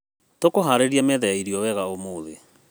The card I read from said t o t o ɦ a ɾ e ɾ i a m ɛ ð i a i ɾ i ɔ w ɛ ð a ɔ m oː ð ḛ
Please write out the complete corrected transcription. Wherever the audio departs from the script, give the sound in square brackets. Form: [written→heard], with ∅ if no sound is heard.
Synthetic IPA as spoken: t o [t→k] o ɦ a ɾ e ɾ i a m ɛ ð [i→ɛ] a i ɾ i ɔ w ɛ [ð→ɣ] a [ɔ→o] m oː ð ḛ